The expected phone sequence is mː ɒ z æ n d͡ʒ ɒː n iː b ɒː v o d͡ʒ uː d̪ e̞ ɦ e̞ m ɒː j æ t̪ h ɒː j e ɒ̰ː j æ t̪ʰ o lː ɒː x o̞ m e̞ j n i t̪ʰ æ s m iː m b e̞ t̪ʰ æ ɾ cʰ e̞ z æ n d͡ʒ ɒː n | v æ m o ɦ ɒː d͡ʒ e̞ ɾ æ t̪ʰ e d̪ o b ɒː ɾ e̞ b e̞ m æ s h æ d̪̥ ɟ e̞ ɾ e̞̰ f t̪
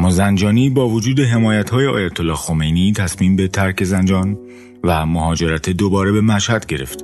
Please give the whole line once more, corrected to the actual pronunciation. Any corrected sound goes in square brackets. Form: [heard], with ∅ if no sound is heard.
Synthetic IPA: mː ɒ z æ n d͡ʒ ɒː n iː b ɒː v o d͡ʒ uː d̪ e̞ ɦ e̞ m ɒː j æ t̪ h ɒː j e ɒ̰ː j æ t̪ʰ o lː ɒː x o̞ m e̞ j n i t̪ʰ æ s m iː m b e̞ t̪ʰ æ ɾ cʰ e̞ z æ n d͡ʒ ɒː n | v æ m o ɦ ɒː d͡ʒ e̞ ɾ æ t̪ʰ e d̪ o b ɒː ɾ e̞ b e̞ m æ [ʃ] h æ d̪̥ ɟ e̞ ɾ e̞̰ f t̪